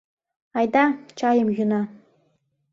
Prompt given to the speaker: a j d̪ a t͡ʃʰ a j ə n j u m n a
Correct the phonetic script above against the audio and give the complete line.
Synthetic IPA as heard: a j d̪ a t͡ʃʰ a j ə m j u n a